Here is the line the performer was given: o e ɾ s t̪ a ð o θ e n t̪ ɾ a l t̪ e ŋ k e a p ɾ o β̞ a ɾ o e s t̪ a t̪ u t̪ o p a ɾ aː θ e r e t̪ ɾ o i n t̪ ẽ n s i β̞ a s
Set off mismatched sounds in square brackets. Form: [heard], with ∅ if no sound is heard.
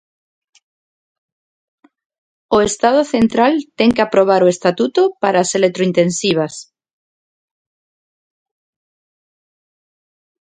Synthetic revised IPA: o e [∅] s t̪ a ð o θ e n t̪ ɾ a l t̪ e ŋ k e a p ɾ o β̞ a ɾ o e s t̪ a t̪ u t̪ o p a ɾ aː [s] e [l] e t̪ ɾ o i n t̪ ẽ n s i β̞ a s